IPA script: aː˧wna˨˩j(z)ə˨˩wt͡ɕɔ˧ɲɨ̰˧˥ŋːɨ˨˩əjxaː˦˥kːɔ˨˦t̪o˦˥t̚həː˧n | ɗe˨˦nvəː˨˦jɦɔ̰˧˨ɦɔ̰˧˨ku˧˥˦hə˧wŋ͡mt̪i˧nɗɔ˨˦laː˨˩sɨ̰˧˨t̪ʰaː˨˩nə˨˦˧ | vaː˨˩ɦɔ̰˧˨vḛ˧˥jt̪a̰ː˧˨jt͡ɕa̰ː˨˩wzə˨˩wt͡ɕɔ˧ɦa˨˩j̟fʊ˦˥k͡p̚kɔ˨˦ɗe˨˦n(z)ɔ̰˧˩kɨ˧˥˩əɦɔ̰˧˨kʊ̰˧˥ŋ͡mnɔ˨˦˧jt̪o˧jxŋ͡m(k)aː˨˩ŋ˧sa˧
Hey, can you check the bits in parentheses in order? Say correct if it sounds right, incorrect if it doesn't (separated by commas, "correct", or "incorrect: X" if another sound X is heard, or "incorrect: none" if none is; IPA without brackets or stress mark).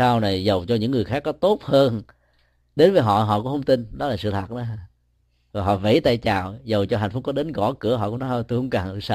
correct, incorrect: ɣ, correct